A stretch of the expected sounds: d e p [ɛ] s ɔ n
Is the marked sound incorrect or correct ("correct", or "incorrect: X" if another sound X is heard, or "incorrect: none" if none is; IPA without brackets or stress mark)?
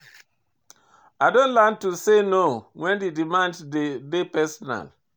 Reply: correct